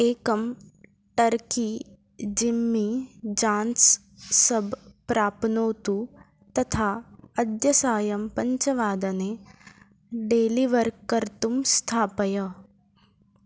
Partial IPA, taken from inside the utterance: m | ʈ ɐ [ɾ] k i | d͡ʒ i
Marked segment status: correct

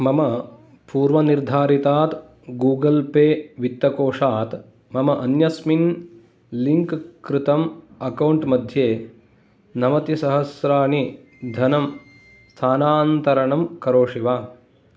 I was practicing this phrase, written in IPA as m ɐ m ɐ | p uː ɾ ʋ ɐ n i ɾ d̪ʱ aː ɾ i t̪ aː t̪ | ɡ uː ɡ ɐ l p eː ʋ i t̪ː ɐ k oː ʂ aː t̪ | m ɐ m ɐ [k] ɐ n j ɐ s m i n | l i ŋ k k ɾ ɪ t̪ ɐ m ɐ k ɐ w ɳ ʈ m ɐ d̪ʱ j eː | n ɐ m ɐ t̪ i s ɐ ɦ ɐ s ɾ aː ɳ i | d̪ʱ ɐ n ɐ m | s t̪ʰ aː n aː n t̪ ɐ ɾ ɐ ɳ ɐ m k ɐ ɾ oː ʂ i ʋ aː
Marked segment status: incorrect: ʔ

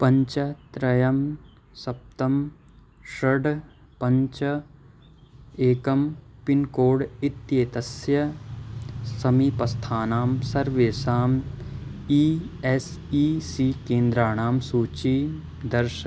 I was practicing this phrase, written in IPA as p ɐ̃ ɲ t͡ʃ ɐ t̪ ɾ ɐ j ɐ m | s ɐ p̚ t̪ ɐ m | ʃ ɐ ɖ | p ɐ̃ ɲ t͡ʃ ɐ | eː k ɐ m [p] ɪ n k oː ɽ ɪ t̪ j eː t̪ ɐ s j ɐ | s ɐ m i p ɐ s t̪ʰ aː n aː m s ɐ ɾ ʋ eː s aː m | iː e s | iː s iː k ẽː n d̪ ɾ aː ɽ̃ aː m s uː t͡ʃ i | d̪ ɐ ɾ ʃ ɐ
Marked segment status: correct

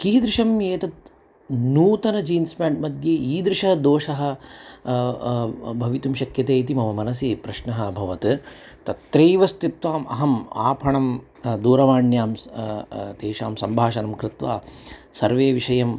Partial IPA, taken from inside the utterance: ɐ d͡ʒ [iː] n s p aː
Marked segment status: correct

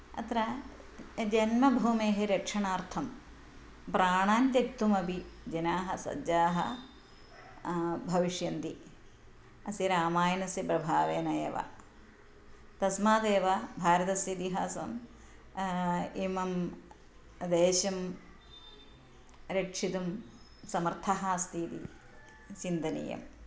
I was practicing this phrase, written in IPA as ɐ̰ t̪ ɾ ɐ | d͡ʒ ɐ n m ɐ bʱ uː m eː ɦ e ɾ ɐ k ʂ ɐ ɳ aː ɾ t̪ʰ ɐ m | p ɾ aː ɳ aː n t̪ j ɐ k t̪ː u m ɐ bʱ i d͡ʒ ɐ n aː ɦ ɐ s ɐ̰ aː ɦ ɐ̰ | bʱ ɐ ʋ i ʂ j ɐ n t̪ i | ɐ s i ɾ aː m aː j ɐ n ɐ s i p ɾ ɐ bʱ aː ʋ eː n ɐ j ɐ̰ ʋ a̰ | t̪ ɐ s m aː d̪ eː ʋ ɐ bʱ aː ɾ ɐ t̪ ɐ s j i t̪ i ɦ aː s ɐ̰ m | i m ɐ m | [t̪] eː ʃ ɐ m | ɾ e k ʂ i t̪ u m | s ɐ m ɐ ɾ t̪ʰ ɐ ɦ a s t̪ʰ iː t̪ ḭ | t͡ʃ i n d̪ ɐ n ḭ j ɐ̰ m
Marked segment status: incorrect: d̪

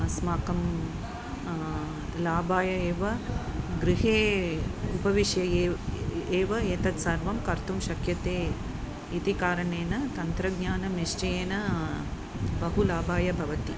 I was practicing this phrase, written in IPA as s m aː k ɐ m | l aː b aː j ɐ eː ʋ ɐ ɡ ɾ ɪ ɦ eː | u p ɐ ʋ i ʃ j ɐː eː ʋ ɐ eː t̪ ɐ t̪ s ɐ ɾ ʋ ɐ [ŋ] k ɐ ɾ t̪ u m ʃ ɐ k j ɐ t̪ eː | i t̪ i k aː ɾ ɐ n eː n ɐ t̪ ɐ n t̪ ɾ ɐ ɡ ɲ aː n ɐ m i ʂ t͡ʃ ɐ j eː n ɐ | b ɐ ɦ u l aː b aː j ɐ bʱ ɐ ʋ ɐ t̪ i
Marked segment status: incorrect: m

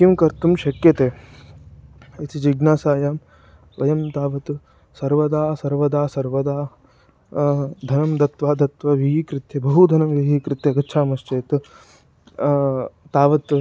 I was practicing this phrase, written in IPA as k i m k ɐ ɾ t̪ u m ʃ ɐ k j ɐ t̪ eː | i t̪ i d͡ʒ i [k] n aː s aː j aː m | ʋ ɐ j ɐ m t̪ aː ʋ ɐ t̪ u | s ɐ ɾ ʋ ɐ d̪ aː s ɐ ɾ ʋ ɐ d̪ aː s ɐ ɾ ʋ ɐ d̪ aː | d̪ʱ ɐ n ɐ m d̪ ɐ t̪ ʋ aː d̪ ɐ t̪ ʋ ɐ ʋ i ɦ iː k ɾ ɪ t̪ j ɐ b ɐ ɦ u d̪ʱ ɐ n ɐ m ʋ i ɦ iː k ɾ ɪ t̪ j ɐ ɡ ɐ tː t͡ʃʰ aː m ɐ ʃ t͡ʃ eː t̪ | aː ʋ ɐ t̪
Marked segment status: incorrect: ɡ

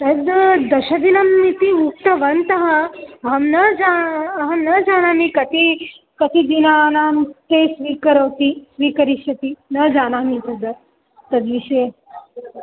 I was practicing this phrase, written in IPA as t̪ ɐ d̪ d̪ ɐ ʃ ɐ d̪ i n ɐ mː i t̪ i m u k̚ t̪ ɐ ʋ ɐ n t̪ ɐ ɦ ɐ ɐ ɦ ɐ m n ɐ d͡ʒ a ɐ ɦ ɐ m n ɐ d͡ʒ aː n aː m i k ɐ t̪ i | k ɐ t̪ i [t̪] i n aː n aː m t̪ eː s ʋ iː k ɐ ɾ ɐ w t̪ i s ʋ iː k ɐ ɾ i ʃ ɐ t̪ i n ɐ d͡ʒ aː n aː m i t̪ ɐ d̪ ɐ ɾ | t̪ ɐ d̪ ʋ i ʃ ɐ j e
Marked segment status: incorrect: d̪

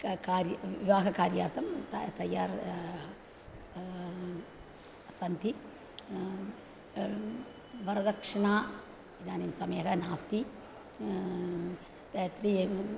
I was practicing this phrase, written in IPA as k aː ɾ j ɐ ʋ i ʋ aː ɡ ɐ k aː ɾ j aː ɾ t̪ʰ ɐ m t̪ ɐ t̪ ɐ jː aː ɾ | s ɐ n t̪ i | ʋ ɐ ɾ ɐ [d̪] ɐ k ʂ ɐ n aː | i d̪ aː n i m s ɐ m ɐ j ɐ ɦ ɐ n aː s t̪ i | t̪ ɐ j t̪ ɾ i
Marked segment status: correct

